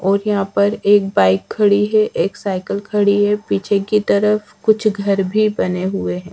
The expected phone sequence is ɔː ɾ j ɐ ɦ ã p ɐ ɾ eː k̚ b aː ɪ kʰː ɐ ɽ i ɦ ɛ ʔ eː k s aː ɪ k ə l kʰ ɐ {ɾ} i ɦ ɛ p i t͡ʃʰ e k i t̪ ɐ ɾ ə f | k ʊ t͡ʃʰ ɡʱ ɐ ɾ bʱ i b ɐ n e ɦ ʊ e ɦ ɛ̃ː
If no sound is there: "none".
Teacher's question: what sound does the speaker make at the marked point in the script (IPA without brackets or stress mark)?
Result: ɽ